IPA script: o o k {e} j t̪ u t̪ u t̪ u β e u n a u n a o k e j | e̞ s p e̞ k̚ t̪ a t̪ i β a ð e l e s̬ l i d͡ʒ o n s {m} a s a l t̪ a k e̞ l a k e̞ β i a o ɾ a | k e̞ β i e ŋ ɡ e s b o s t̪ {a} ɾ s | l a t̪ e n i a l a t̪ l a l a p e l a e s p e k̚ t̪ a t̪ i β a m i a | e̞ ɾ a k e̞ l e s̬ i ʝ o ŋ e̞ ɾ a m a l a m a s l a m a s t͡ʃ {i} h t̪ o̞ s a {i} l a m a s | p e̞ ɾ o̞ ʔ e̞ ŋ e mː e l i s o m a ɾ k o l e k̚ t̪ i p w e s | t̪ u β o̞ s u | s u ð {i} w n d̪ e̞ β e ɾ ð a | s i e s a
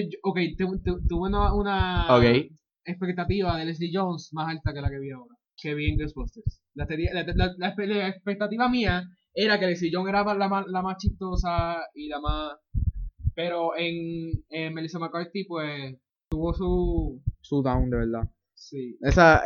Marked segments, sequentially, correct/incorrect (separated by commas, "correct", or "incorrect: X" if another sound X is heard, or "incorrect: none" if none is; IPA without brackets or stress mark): correct, correct, incorrect: e, correct, correct, incorrect: a